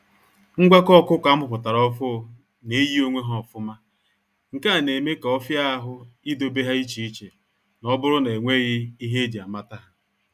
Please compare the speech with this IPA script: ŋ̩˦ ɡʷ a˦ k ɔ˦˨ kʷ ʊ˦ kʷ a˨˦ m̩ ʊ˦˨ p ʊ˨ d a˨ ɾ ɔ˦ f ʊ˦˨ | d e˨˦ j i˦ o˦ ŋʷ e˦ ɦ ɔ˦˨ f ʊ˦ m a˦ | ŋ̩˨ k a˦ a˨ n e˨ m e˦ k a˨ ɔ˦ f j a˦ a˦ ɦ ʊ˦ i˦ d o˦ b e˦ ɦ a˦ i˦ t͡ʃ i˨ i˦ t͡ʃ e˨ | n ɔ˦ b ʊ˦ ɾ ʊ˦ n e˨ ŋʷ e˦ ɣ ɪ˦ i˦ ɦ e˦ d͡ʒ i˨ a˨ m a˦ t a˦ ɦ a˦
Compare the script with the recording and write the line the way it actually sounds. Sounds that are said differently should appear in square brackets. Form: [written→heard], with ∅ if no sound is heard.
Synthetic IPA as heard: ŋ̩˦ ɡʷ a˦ k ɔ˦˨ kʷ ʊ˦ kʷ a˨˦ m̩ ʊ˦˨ p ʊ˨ [d→t] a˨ ɾ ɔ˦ f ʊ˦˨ | [d→n] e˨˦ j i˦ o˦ ŋʷ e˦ ɦ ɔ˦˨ f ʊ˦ m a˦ | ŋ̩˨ k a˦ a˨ n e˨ m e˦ k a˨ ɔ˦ f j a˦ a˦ ɦ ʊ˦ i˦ d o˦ b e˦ ɦ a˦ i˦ t͡ʃ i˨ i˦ t͡ʃ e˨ | n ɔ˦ b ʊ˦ ɾ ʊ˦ n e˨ ŋʷ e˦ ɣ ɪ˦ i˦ ɦ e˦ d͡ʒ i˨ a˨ m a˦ t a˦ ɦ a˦